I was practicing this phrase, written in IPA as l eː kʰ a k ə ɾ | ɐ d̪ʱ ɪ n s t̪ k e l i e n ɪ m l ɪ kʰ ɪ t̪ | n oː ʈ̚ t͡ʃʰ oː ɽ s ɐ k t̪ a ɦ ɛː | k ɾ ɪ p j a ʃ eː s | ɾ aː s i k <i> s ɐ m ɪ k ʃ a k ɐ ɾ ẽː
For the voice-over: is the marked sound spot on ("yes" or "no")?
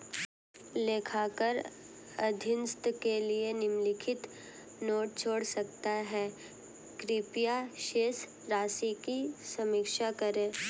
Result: yes